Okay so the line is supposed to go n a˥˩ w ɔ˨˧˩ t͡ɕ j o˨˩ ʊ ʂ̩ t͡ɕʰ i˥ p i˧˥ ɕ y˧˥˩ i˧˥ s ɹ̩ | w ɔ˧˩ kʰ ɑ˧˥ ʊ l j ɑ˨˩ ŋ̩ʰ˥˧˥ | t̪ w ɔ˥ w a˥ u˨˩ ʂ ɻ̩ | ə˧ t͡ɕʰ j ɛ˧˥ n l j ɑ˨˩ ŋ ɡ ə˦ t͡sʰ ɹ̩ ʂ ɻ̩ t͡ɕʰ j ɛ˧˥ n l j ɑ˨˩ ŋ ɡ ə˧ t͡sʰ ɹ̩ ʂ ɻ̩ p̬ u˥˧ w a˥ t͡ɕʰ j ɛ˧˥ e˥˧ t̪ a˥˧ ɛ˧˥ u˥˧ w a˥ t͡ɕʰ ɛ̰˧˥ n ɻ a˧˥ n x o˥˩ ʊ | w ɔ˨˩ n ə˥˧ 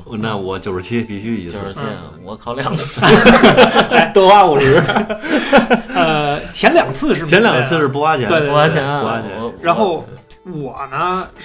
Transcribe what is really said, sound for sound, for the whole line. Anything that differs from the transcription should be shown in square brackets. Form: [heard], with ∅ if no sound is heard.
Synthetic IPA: n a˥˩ w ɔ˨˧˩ t͡ɕ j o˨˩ ʊ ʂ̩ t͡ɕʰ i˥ p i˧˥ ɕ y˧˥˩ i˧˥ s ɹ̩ | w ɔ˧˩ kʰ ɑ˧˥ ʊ l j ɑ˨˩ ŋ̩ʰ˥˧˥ | t̪ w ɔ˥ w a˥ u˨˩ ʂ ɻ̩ | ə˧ t͡ɕʰ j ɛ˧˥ n l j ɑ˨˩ ŋ ɡ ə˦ t͡sʰ ɹ̩ ʂ ɻ̩ t͡ɕʰ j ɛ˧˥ n l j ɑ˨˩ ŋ ɡ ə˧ t͡sʰ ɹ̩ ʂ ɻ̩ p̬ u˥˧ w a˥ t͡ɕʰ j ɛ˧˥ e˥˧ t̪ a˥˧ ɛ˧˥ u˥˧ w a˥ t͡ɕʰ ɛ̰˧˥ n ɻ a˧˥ n x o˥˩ ʊ | w ɔ˨˩ n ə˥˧